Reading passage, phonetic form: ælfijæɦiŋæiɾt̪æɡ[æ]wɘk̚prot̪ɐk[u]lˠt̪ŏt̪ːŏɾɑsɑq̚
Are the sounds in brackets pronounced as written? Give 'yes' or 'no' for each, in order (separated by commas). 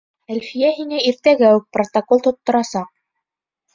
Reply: yes, no